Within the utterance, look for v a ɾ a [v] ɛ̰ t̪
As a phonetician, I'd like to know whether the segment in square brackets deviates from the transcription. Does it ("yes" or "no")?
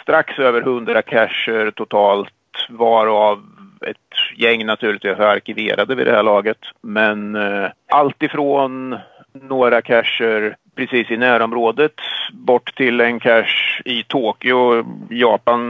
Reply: no